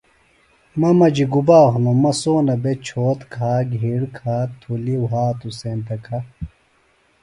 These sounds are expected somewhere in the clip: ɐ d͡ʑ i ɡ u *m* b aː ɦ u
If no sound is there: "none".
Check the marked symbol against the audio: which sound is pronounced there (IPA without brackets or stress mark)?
none